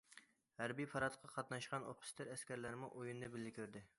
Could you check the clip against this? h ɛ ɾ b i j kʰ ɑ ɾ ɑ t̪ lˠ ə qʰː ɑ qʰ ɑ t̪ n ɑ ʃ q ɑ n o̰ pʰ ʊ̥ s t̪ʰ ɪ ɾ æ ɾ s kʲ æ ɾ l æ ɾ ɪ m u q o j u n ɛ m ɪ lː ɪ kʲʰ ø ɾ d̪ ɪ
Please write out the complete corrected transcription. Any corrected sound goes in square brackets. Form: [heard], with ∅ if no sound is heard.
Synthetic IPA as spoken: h [æ] ɾ b i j [pʰ] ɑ ɾ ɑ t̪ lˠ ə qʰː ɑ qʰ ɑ t̪ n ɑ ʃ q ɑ n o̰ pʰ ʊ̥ s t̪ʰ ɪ ɾ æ [∅] s kʲ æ ɾ l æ ɾ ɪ m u [ʔ] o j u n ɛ [b] ɪ lː ɪ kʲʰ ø ɾ d̪ ɪ